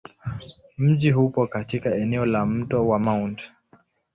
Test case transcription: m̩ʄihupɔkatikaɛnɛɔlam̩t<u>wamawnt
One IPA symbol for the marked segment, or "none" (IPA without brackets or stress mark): ɔ